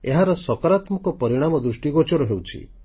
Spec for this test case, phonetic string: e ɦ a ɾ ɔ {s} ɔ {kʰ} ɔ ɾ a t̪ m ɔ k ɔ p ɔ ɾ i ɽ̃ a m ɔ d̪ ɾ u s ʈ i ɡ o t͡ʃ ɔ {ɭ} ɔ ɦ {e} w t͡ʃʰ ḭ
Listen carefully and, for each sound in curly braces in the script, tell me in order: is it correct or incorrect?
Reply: correct, incorrect: k, incorrect: ɾ, correct

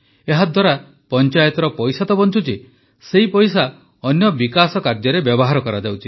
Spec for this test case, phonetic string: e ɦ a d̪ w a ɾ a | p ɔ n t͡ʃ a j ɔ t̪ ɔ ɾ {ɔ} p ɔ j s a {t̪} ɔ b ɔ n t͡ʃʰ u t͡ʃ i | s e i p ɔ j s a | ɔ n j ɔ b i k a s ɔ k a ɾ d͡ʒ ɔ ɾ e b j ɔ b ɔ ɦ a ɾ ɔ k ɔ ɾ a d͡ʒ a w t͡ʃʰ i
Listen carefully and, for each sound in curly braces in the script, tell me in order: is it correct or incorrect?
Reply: correct, correct

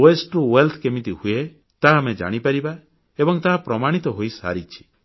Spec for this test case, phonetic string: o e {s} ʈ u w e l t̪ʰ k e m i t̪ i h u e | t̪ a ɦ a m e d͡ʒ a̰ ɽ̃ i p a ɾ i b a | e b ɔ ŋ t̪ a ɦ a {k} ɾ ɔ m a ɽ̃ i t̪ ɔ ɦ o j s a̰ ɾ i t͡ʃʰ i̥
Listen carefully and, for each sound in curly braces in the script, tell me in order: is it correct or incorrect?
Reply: correct, incorrect: p

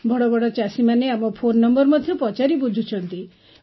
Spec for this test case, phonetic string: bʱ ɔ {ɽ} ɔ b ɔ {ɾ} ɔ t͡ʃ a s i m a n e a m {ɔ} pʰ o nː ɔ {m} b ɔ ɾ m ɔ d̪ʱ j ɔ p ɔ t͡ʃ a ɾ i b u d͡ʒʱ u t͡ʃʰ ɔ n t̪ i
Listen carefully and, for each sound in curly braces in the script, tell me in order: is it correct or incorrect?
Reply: correct, incorrect: ɽ, correct, correct

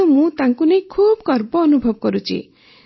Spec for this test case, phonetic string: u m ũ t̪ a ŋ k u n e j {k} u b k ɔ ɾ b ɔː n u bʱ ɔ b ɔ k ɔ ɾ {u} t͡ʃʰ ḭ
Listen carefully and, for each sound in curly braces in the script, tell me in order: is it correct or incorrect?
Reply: incorrect: kʰ, correct

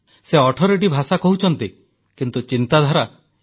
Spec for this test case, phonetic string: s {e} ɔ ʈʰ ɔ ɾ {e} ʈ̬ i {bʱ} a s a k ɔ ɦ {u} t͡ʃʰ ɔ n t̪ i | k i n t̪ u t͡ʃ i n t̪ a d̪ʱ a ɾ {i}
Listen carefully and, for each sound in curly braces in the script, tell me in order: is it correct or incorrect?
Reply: correct, correct, correct, correct, incorrect: a

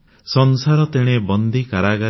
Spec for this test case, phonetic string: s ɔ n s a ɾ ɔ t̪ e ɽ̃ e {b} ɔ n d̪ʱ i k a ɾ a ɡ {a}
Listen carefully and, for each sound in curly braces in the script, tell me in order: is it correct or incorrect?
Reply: correct, correct

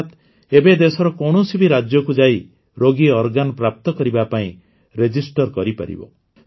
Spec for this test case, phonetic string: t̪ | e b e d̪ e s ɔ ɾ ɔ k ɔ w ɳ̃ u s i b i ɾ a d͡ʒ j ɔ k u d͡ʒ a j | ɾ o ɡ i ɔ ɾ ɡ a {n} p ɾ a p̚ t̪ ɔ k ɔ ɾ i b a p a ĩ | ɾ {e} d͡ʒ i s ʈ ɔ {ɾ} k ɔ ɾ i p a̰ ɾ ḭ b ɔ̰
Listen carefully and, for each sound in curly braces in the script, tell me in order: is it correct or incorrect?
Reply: correct, correct, correct

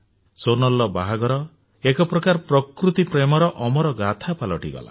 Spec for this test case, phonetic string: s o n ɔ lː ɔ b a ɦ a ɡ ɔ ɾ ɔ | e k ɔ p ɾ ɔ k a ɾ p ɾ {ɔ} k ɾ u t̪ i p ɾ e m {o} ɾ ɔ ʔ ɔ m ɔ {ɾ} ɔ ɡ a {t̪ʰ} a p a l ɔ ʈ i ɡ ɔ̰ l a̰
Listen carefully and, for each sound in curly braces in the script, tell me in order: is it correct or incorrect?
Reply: correct, incorrect: ɔ, correct, correct

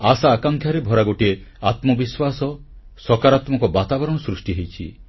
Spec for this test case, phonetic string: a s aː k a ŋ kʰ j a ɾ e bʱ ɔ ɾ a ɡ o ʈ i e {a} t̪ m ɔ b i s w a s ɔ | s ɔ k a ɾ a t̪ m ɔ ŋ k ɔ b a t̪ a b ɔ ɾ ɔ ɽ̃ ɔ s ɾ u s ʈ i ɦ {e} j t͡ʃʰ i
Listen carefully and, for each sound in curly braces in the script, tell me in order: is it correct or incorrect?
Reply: correct, correct

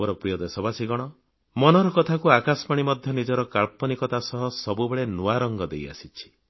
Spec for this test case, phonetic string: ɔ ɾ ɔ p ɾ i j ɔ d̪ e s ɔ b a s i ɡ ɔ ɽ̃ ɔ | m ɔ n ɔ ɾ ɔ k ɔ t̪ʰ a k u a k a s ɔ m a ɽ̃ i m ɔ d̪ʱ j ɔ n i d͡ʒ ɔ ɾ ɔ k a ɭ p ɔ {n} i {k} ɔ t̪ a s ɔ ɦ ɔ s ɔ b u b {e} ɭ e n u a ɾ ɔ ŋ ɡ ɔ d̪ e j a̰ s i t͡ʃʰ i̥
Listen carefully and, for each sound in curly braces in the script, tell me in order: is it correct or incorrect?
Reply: correct, correct, correct

